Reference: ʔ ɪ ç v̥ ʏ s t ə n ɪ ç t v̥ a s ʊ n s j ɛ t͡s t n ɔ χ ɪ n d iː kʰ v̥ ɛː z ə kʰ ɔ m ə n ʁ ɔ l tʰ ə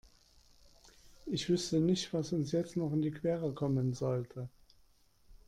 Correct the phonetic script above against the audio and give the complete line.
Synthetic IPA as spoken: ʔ ɪ ç v̥ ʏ s t ə n ɪ ç t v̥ a s ʊ n s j ɛ t͡s t n ɔ χ ɪ n d iː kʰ v̥ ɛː ʁ ə kʰ ɔ m ə n z ɔ l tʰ ə